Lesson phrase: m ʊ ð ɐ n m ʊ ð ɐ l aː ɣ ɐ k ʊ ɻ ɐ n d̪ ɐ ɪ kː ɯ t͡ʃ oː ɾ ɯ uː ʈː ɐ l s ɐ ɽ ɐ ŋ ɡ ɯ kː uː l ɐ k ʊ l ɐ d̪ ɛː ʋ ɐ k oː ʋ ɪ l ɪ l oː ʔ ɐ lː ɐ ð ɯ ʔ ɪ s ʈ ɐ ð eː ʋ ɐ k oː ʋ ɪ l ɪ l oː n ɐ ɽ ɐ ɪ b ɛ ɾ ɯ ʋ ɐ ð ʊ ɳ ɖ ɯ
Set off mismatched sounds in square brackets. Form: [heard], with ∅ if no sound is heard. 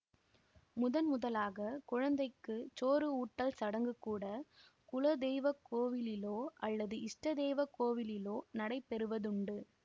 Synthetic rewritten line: m ʊ ð ɐ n m ʊ ð ɐ l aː ɣ ɐ k ʊ ɻ ɐ n d̪ ɐ ɪ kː ɯ t͡ʃ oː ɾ ɯ uː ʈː ɐ l s ɐ ɽ ɐ ŋ ɡ ɯ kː uː [ɽ] ɐ k ʊ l ɐ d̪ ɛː ʋ ɐ k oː ʋ ɪ l ɪ l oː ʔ ɐ lː ɐ ð ɯ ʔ ɪ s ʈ ɐ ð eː ʋ ɐ k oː ʋ ɪ l ɪ l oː n ɐ ɽ ɐ ɪ [p] ɛ ɾ ɯ ʋ ɐ ð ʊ ɳ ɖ ɯ